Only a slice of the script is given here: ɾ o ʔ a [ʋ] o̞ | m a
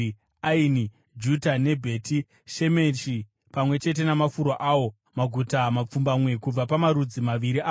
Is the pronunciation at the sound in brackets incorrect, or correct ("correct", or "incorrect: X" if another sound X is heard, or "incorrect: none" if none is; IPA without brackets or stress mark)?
incorrect: w